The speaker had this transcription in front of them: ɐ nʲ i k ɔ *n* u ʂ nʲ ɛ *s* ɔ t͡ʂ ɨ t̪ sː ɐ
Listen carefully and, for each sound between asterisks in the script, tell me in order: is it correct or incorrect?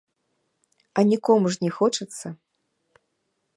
incorrect, incorrect

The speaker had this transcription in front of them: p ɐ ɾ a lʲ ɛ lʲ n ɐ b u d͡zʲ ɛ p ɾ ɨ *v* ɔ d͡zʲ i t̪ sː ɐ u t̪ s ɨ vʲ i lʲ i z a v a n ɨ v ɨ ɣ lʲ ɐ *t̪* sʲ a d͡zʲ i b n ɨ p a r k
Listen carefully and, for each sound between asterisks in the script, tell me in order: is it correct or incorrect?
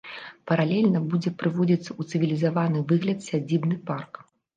correct, correct

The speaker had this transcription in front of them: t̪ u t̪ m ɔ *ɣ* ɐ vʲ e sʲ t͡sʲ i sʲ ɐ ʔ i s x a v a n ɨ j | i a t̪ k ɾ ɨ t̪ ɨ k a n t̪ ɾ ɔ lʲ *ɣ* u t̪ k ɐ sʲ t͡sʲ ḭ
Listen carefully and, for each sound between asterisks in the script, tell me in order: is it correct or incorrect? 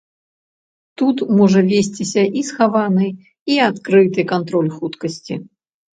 incorrect, incorrect

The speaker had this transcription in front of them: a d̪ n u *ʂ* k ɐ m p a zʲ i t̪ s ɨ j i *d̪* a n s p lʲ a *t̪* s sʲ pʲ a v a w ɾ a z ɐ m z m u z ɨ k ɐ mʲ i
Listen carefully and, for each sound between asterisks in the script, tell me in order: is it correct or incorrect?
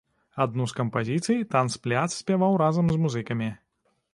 incorrect, incorrect, correct

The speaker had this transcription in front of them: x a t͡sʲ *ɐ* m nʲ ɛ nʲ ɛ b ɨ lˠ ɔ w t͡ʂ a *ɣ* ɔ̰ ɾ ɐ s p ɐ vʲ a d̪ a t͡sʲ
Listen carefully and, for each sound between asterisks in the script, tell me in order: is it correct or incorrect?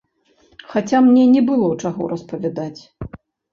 incorrect, correct

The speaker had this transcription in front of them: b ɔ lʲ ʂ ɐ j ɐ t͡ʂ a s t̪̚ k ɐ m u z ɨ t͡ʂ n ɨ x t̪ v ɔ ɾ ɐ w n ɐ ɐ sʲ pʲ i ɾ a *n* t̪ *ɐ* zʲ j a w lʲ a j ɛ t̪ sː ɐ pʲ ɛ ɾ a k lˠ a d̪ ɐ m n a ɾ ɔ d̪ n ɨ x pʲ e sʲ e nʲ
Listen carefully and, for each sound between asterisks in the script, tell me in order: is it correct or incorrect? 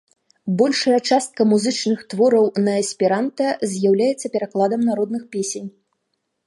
correct, correct

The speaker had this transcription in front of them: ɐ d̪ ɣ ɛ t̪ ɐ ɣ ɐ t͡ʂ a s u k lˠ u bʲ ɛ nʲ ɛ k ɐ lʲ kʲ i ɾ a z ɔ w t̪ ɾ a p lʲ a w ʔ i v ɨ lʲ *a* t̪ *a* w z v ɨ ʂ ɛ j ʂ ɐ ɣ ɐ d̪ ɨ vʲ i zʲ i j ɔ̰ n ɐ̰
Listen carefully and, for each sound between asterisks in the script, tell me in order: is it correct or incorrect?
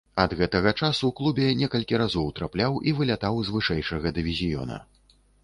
correct, correct

